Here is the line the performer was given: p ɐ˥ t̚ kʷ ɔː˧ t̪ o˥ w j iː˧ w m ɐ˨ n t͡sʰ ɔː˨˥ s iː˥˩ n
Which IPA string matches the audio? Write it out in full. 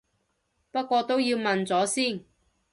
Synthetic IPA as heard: p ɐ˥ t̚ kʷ ɔː˧ t̪ o˥ w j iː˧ w m ɐ˨ n t͡s ɔː˨˥ s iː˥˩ n